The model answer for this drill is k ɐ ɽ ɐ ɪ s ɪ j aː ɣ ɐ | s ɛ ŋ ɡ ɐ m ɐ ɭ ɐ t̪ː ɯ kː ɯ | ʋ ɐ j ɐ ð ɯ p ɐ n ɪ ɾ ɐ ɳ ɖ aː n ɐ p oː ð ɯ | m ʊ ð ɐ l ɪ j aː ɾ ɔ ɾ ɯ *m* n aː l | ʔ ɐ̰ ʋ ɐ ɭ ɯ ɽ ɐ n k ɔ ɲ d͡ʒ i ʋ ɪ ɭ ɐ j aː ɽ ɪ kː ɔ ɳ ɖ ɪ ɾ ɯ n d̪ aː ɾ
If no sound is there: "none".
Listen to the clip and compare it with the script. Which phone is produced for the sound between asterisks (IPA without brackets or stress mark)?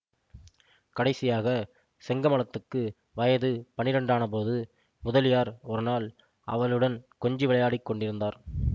none